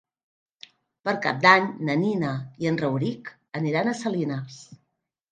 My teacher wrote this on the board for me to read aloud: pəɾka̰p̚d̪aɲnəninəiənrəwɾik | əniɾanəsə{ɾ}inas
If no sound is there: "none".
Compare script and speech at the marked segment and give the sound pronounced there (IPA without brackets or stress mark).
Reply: l